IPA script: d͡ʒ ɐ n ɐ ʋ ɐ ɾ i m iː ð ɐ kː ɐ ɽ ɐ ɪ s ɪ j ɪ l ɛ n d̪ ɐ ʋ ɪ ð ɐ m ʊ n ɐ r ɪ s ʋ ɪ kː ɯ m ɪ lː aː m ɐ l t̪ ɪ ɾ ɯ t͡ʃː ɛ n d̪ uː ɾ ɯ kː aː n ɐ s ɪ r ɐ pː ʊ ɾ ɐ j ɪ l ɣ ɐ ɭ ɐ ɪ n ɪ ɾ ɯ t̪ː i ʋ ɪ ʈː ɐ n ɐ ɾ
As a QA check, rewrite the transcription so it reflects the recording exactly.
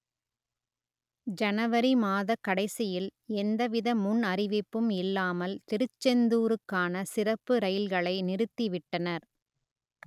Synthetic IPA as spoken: d͡ʒ ɐ n ɐ ʋ ɐ ɾ i m aː ð ɐ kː ɐ ɽ ɐ ɪ s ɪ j ɪ l ɛ n d̪ ɐ ʋ ɪ ð ɐ m ʊ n ɐ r ɪ ʋ ɪ pː ɯ m ɪ lː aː m ɐ l t̪ ɪ ɾ ɯ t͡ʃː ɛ n d̪ uː ɾ ɯ kː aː n ɐ s ɪ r ɐ pː ɯ ɾ ɐ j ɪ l ɣ ɐ ɭ ɐ ɪ n ɪ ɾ ɯ t̪ː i ʋ ɪ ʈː ɐ n ɐ ɾ